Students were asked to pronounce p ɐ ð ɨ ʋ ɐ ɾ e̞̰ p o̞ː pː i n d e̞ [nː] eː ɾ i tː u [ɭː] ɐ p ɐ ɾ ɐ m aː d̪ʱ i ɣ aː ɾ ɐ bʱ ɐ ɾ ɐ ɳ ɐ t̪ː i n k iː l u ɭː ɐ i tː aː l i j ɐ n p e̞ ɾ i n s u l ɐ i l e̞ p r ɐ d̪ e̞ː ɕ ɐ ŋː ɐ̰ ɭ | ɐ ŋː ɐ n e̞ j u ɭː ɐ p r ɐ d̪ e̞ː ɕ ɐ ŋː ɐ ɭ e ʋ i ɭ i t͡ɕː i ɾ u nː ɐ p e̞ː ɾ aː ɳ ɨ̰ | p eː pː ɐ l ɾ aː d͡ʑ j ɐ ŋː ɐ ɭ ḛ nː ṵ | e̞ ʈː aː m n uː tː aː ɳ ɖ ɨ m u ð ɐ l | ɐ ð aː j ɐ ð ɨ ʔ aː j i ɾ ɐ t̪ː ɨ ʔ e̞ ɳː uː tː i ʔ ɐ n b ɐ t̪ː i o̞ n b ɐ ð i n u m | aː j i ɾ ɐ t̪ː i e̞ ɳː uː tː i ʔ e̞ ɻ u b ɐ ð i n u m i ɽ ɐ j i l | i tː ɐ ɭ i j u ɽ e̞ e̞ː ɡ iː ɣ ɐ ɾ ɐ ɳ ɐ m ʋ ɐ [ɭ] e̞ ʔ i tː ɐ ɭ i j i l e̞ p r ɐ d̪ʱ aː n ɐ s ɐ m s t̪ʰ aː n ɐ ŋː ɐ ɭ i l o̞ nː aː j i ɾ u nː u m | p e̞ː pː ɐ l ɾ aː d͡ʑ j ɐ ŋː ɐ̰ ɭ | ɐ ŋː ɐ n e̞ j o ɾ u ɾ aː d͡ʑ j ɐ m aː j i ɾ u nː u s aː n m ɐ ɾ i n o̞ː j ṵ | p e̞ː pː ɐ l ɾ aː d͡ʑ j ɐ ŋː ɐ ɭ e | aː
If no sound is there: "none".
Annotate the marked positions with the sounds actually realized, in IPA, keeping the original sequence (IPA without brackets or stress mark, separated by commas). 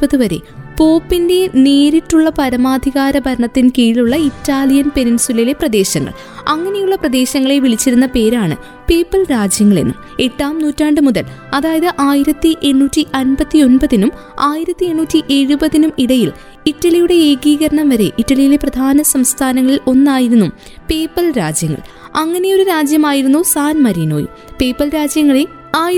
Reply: n, ɭː, ɾ